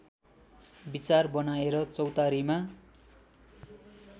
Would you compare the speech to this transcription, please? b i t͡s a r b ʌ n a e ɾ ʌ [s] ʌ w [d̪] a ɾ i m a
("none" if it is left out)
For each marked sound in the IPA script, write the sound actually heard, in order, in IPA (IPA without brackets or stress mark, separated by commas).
t͡s, t̪